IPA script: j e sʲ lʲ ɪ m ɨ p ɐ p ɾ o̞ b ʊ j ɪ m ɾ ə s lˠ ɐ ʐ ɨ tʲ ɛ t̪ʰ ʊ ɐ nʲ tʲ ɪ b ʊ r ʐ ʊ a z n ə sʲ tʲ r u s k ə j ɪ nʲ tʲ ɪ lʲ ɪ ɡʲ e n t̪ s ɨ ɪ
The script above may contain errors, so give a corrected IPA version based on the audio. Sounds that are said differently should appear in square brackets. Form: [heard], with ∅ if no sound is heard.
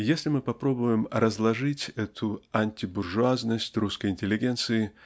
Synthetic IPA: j e sʲ lʲ ɪ m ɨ p ɐ p ɾ o̞ b ʊ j ɪ m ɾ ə [z] lˠ ɐ ʐ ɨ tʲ ɛ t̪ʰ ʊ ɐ nʲ tʲ ɪ b ʊ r ʐ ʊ a z n ə sʲ tʲ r u s k ə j ɪ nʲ tʲ ɪ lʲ ɪ ɡʲ e n t̪ s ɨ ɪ